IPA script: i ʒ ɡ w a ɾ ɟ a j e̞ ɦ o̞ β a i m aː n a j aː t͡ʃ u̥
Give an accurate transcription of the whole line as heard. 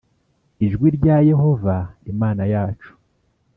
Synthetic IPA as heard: i ʒ ɡ w i ɾ ɟ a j e̞ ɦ o̞ v a i m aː n a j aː t͡ʃ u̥